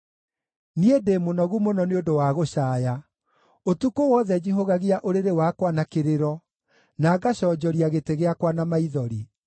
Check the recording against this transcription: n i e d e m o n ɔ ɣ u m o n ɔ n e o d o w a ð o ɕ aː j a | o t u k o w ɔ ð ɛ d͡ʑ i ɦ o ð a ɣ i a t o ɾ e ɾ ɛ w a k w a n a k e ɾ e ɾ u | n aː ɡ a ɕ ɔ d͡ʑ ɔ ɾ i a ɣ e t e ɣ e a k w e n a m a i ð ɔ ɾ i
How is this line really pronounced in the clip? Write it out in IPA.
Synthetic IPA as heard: n i e d e m o n ɔ ɣ u m o n ɔ n e o d o w a ɣ o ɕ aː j a | o t u k o w ɔ ð ɛ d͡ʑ i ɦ o ɣ a ɣ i a ʔ o ɾ e ɾ e w a k w a n a k e ɾ e ɾ ɔ | n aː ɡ a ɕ ɔ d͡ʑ ɔ ɾ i a ɣ e t e ɣ e a k w a n a m a i ð ɔ ɾ i